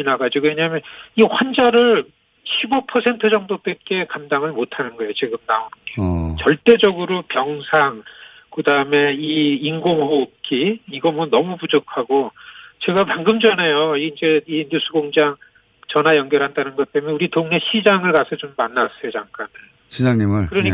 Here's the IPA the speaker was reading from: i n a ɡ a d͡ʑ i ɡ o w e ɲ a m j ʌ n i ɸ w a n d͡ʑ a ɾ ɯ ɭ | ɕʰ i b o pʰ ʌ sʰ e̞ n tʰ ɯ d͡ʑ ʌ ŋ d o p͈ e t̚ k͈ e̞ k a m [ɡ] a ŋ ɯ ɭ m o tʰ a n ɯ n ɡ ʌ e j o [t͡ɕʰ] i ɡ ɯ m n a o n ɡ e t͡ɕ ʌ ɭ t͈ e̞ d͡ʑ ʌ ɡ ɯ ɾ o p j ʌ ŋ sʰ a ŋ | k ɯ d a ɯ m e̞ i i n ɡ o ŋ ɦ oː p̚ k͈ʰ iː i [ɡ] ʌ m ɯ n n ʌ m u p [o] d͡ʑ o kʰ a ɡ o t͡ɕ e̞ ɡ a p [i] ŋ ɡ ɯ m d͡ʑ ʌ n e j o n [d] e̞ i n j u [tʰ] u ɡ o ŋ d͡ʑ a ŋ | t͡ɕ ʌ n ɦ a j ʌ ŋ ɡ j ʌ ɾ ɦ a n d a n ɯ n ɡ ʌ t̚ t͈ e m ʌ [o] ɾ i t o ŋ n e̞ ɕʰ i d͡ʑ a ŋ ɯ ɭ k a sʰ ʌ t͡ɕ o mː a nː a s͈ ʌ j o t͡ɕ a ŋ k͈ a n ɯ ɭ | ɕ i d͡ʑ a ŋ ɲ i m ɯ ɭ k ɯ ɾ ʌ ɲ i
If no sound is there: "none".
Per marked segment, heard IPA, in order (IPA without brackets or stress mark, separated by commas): d, t͡ɕ, ɡ, u, a, d͡ʑ, sʰ, u